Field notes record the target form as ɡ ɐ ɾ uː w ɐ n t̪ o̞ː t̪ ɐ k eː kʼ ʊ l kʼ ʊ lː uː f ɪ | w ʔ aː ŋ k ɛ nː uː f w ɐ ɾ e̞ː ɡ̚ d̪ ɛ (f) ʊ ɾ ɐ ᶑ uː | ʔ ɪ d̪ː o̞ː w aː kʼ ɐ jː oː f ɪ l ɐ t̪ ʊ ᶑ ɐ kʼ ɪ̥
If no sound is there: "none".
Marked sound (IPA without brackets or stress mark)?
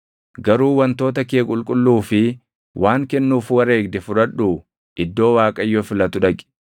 f